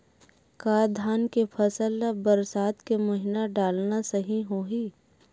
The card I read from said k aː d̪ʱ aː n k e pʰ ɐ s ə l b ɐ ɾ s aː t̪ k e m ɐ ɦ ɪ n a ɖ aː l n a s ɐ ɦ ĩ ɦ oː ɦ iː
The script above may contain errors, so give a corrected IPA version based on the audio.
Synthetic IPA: k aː d̪ʱ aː n k e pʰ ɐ s ə l b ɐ ɾ s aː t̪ k e m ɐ ɦ ɪ n a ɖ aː l n a s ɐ ɦ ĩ ɦ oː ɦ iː